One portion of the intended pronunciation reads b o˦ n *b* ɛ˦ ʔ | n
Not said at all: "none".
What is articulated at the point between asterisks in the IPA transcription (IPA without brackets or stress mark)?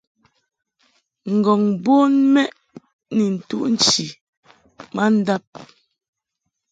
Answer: m